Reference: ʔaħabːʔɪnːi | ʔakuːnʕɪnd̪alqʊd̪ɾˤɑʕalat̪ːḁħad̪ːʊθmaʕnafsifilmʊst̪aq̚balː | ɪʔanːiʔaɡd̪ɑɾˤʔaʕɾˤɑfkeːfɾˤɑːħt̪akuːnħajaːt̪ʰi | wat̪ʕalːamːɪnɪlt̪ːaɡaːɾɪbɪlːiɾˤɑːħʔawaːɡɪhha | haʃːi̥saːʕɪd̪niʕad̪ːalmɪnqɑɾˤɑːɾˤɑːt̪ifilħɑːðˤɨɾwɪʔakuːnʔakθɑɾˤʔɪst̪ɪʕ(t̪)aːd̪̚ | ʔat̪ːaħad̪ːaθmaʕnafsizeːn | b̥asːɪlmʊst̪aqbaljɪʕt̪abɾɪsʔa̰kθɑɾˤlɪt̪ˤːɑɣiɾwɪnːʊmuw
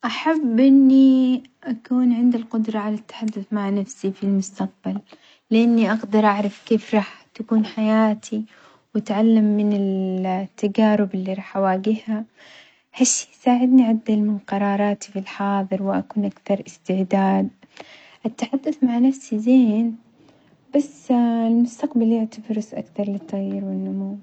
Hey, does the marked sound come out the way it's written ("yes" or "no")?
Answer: no